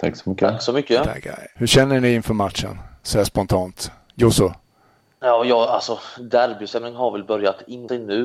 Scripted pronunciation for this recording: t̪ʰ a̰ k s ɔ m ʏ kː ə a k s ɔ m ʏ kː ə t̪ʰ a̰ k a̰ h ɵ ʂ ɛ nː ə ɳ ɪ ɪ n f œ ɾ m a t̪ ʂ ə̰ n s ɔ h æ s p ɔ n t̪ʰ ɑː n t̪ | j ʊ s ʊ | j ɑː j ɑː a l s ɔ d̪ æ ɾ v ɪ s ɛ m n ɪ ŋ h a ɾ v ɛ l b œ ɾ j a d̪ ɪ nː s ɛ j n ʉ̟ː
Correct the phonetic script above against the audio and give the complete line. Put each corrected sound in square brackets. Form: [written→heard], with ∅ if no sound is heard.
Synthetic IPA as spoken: t̪ʰ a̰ k s ɔ m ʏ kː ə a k s ɔ m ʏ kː ə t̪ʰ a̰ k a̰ h ɵ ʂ ɛ nː ə ɳ ɪ ɪ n f œ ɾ m a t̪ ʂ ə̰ n s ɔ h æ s p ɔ n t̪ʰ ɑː n t̪ | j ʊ s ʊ | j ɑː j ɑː a l s ɔ d̪ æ ɾ [v→b] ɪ s ɛ m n ɪ ŋ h a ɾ v ɛ l b œ ɾ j a [d̪→t̪] ɪ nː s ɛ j n ʉ̟ː